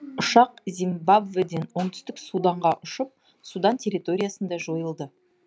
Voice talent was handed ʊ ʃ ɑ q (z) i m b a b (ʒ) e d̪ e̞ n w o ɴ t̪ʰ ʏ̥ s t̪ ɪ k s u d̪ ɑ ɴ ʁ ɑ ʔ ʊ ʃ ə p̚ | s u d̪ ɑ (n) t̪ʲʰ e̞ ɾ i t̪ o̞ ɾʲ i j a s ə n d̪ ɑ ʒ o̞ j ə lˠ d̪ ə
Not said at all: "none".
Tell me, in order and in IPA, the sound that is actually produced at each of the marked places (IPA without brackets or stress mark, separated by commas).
z, v, n